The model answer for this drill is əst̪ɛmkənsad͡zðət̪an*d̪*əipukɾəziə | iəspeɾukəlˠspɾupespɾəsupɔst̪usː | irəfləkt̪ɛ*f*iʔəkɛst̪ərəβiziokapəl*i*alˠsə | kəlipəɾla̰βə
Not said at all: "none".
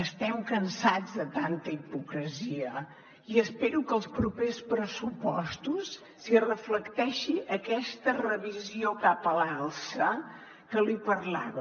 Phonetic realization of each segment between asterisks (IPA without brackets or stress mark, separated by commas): t̪, ʃ, a